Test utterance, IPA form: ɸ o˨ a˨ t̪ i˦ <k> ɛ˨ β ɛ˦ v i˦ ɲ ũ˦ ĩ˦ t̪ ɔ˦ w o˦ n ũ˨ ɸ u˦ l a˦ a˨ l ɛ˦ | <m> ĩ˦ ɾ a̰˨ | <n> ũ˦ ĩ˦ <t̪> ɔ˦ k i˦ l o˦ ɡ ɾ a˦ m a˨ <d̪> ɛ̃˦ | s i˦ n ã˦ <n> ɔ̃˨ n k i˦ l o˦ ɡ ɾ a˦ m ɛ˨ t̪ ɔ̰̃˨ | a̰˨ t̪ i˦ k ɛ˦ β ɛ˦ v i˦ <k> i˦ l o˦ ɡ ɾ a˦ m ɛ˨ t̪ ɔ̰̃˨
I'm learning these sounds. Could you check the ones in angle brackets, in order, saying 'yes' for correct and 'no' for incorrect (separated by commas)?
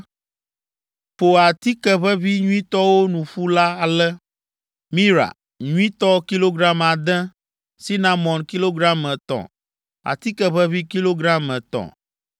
yes, yes, no, yes, yes, no, yes